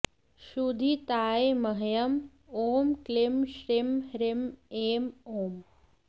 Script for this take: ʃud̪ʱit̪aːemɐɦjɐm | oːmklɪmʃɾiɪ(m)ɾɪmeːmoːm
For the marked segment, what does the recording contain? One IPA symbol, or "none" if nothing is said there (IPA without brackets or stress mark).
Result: m